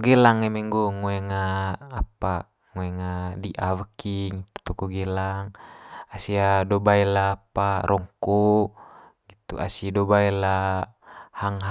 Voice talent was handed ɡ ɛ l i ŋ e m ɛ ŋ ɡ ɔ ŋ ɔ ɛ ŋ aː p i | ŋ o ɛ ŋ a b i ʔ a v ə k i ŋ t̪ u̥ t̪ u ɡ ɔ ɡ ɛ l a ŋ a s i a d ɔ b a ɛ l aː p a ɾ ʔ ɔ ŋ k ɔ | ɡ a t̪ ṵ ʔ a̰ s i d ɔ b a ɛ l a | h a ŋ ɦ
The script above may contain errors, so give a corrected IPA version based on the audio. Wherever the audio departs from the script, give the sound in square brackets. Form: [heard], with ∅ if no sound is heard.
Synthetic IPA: ɡ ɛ l [a] ŋ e m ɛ ŋ ɡ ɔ ŋ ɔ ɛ ŋ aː p [a] | ŋ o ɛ ŋ a [d] i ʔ a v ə k i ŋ t̪ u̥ t̪ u [k] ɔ ɡ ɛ l a ŋ a s i a d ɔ b a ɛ l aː p a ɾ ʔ ɔ ŋ k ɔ | ɡ [i] t̪ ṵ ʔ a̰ s i d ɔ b a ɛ l a | h a ŋ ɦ